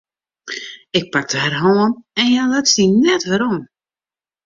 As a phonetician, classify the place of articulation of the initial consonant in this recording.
velar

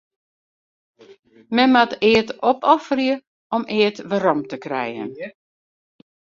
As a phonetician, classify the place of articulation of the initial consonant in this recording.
labial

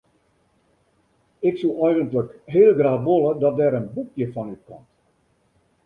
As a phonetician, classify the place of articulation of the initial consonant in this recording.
velar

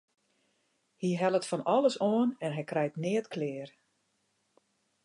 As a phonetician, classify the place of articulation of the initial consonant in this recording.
glottal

